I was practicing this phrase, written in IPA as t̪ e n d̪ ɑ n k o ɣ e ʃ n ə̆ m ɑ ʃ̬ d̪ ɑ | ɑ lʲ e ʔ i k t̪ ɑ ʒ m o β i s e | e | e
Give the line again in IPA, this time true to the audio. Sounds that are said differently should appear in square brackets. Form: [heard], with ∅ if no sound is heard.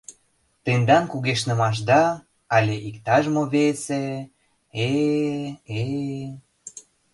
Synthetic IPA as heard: t̪ e n d̪ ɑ n k [u] ɣ e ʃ n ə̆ m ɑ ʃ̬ d̪ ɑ | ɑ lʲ e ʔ i k t̪ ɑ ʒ m o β [e] s e | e | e